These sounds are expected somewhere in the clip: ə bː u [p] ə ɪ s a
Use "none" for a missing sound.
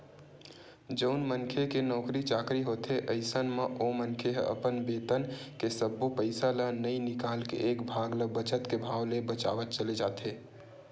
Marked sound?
p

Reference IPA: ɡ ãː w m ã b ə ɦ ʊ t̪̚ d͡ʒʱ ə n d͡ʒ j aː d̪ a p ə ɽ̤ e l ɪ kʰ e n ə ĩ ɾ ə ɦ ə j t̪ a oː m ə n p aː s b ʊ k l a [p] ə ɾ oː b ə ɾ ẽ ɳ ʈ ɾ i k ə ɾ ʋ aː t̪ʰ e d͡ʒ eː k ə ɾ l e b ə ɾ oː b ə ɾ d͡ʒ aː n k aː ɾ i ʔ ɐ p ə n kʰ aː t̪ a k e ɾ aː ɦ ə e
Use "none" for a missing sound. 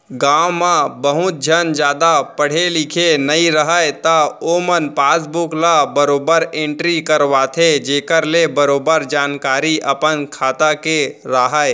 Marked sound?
b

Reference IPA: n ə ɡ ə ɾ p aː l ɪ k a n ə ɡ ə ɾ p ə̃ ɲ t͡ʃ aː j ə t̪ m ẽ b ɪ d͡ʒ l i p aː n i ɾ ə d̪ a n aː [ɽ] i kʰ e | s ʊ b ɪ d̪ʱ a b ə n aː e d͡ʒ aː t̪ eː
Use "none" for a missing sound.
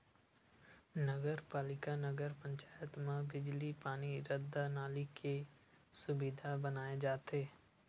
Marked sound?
l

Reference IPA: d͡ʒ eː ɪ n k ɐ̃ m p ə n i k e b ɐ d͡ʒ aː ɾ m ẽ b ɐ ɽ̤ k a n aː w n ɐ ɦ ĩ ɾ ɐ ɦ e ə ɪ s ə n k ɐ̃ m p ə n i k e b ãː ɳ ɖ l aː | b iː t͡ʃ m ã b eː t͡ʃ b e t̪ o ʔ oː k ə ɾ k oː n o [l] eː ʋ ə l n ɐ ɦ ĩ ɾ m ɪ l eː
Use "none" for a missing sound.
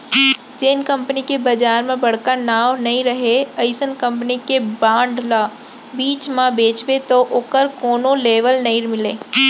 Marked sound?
l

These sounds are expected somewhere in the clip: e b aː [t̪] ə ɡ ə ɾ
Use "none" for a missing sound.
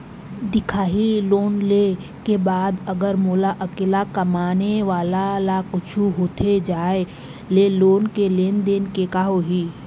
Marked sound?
d̪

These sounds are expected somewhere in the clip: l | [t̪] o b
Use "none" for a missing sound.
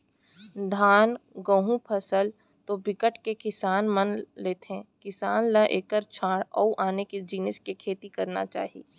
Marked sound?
t̪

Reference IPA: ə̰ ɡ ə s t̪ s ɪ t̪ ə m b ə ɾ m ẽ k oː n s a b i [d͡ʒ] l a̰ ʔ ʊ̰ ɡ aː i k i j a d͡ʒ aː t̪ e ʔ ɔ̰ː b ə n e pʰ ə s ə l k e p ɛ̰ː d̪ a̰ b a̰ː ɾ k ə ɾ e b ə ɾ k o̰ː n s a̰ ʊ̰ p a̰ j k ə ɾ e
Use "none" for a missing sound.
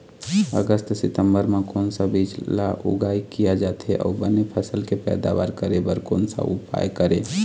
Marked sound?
d͡ʒ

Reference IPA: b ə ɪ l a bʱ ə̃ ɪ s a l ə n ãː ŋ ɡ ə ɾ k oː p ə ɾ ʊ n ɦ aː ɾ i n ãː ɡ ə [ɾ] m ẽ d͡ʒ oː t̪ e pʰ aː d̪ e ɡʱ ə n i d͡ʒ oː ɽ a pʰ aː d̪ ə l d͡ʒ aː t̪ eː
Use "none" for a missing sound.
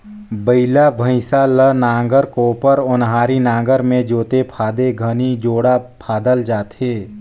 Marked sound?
ɾ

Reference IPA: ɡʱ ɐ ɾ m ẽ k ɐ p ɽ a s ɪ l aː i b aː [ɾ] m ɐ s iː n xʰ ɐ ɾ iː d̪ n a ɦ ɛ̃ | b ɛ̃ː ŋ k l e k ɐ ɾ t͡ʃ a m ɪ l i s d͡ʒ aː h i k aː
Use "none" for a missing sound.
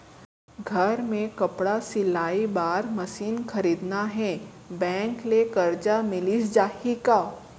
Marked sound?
ɾ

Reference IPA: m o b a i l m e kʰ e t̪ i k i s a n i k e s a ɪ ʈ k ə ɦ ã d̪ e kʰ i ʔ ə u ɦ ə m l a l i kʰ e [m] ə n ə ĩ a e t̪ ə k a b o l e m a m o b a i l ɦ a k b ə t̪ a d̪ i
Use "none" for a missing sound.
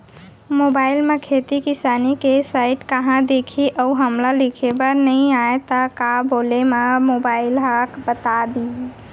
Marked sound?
b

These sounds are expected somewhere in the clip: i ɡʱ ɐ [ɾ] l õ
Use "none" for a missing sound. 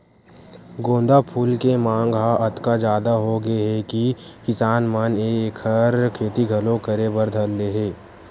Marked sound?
none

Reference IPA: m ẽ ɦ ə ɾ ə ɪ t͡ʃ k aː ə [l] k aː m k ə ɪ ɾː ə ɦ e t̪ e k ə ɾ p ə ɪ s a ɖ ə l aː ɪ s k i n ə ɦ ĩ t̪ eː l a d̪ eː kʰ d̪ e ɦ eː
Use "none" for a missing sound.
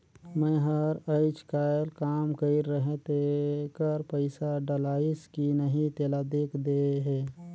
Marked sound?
l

